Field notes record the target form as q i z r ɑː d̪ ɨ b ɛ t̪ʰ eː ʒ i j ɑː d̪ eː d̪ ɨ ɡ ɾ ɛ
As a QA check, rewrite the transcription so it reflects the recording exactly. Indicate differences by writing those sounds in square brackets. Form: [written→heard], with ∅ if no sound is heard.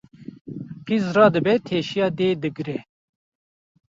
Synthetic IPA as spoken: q i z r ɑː d̪ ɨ b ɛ t̪ʰ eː [ʒ→ʃ] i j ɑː d̪ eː d̪ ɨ ɡ ɾ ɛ